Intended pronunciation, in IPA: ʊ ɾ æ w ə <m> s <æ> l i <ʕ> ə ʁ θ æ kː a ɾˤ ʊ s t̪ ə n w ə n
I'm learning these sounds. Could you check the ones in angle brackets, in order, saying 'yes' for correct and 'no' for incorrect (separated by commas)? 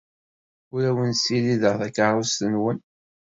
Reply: no, no, no